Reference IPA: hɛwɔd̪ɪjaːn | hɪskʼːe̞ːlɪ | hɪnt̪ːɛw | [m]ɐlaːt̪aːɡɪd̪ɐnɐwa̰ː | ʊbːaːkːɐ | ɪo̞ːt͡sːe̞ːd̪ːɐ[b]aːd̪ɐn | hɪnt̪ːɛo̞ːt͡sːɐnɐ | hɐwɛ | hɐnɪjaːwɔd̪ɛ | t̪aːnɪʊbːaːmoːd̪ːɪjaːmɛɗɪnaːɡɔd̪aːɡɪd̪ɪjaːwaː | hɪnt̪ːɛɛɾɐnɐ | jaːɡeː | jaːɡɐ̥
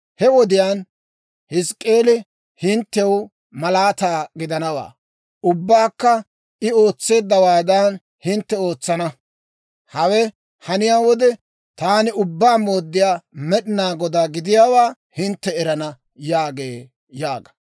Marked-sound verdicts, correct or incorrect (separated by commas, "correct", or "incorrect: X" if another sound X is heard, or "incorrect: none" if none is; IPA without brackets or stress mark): correct, incorrect: w